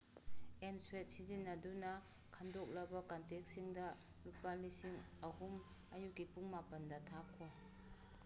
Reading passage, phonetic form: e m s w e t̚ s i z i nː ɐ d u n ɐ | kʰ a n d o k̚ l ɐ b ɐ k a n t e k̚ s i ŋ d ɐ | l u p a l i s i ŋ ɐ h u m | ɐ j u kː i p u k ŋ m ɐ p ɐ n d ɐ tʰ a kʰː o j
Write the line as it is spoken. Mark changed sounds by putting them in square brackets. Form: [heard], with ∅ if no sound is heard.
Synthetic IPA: e m s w e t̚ s i z i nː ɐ d u n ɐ | kʰ a n d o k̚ l ɐ b ɐ k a n t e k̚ s i ŋ d ɐ | l u p a l i s i ŋ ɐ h u m | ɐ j u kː i p u [∅] ŋ m [a] p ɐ n d ɐ tʰ a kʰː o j